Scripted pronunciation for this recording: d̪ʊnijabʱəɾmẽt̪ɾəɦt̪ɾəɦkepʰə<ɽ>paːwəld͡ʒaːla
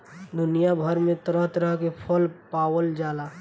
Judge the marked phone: incorrect: l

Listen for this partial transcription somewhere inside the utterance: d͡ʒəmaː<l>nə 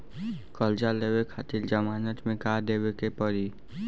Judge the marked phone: incorrect: none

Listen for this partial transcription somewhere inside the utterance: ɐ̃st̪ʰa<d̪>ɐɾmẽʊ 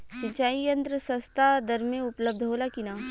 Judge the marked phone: correct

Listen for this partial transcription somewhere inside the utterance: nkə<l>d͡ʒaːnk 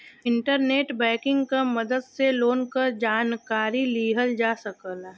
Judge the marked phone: incorrect: ɾ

